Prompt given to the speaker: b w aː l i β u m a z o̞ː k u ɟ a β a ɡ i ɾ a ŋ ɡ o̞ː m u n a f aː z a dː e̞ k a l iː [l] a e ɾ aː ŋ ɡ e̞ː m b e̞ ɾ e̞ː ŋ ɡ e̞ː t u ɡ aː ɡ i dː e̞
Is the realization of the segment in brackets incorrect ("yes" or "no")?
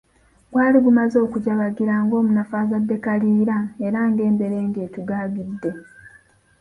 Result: yes